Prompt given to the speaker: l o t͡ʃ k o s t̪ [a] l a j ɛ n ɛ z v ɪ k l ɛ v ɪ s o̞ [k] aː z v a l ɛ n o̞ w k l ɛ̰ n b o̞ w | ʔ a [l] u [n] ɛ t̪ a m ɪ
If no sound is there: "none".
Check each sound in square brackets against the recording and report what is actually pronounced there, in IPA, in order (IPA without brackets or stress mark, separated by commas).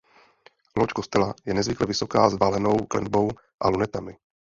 ɛ, k, l, n